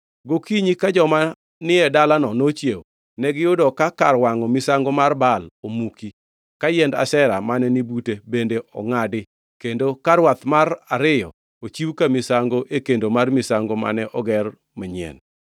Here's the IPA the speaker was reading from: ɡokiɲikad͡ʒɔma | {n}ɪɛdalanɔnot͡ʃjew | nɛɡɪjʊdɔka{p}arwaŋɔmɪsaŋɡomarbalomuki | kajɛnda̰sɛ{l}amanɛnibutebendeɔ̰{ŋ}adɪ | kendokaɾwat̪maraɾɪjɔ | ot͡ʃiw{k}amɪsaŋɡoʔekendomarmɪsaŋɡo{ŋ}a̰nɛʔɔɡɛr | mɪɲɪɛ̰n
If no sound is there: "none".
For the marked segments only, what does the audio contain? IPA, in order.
n, k, ɾ, ŋ, k, m

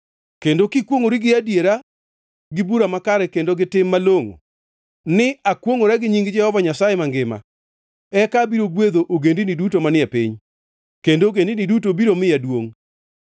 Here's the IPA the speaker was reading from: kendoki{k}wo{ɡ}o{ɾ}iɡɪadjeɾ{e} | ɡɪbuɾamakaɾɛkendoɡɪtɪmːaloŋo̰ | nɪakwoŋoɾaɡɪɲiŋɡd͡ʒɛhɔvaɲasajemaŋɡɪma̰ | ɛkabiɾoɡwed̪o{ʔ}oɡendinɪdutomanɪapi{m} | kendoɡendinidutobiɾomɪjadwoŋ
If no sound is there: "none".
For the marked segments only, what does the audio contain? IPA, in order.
k, ŋ, ɾ, a, ʔ, ɲ

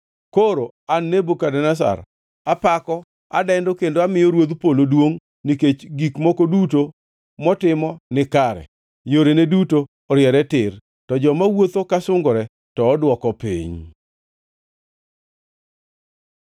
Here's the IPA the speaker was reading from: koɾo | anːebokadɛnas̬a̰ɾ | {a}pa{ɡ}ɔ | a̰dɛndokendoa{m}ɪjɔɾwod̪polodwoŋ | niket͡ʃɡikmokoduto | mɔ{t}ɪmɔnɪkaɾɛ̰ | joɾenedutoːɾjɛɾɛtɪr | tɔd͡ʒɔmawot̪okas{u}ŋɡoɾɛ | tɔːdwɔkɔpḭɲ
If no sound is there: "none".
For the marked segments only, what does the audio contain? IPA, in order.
a, k, m, t, ʊ

